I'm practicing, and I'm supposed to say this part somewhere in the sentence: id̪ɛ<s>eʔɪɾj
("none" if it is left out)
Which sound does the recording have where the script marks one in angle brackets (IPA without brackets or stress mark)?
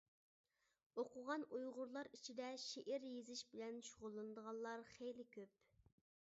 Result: ʃ